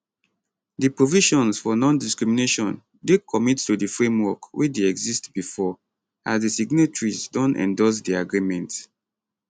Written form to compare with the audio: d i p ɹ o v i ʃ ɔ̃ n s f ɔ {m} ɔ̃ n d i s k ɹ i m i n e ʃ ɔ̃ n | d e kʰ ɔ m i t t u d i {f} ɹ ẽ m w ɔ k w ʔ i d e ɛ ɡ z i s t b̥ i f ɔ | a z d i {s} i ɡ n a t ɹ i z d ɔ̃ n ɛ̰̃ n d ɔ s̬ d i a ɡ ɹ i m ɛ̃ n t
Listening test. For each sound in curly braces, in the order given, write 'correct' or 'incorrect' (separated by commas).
incorrect, correct, correct